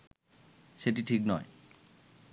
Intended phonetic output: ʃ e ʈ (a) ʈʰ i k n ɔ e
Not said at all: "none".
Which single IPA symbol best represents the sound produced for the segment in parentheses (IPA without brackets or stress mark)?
i